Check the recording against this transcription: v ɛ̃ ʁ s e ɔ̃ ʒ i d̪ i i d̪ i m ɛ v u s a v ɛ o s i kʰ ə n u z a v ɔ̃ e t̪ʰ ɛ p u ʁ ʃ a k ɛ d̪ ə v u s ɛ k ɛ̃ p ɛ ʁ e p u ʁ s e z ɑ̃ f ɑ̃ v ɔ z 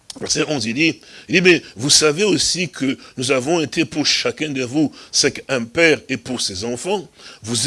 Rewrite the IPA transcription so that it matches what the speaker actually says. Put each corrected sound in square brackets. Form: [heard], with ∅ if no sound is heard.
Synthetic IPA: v [ɛ] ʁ s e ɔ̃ [z] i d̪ i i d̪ i m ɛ v u s a v [e] o s i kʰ ə n u z a v ɔ̃ e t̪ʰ [e] p u ʁ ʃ a k [ɛ̃] d̪ ə v u s ɛ k ɛ̃ p ɛ ʁ e p u ʁ s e z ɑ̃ f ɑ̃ v [u] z